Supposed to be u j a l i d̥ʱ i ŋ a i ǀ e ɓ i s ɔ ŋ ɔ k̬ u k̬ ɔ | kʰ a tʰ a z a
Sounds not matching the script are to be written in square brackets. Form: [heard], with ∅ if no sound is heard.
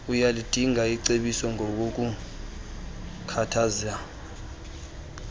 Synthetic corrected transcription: u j a l i d̥ʱ i ŋ a i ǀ e ɓ i s ɔ ŋ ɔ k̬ [o] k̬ [u] | kʰ a tʰ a z a